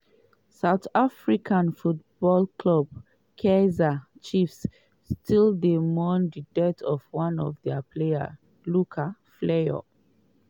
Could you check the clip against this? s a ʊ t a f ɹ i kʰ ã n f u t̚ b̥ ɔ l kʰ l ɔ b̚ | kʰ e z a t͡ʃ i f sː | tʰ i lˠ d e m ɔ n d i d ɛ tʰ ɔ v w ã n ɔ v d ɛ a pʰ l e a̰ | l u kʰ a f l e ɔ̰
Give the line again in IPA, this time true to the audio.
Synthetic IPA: s a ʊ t a f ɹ i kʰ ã n f u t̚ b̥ ɔ l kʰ l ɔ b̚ | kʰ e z a t͡ʃ i f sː | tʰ i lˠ d e m ɔ n d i d ɛ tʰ ɔ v w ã n ɔ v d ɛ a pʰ l e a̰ | l u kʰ a f l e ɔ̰